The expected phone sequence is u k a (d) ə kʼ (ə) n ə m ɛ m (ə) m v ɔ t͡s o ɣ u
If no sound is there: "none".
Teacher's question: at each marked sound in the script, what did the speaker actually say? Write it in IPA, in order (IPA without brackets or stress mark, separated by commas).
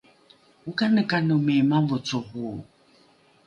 n, a, a